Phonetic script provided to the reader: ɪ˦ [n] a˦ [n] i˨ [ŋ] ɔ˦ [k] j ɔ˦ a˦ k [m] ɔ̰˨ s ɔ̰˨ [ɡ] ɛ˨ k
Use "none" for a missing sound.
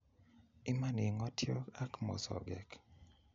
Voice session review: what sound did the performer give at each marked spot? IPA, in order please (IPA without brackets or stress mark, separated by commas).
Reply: m, n, ŋ, t, m, ɡ